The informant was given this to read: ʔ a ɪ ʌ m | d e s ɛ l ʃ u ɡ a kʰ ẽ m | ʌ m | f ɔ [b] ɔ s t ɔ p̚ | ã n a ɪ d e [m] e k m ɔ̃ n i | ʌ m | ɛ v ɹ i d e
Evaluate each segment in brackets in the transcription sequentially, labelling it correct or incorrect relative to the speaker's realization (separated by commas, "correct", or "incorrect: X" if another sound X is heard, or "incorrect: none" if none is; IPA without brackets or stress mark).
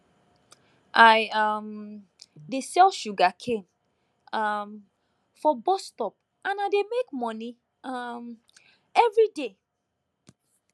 correct, correct